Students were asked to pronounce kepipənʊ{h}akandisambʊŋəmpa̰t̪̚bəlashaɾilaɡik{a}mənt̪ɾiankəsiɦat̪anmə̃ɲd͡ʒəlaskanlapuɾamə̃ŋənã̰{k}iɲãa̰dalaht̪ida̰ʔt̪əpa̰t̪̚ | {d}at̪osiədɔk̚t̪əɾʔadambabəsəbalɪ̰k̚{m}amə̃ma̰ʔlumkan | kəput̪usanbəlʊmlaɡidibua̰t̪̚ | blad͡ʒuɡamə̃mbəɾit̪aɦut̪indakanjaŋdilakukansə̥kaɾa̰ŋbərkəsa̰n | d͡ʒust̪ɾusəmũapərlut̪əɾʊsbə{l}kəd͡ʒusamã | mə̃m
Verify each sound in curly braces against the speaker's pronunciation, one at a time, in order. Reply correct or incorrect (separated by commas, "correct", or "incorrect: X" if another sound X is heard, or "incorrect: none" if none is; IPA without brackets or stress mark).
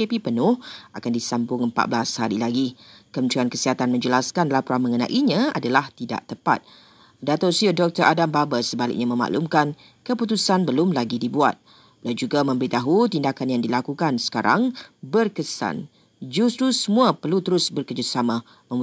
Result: correct, incorrect: ə, incorrect: ʔ, correct, incorrect: ɲ, incorrect: r